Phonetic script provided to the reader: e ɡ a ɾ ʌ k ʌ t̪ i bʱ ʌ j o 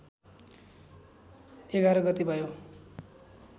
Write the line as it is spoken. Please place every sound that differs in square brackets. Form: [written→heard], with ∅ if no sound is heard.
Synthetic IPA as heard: e ɡ a ɾ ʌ [k→ɡ] ʌ t̪ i bʱ ʌ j o